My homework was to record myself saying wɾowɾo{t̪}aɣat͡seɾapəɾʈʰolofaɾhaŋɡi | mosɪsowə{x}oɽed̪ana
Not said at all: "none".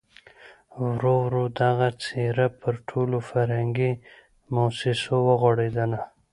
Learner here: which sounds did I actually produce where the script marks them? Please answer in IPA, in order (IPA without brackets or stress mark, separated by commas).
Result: d̪, ɣ